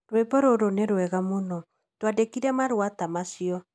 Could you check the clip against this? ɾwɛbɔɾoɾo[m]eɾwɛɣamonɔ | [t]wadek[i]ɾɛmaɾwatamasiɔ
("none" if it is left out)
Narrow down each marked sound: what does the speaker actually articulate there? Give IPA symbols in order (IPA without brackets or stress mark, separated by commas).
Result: n, t, i